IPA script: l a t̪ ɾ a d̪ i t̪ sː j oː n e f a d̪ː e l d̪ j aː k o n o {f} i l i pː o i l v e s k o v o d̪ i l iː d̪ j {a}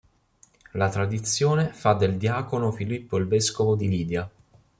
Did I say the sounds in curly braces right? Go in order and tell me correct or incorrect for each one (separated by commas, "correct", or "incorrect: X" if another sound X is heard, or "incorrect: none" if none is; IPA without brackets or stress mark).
correct, correct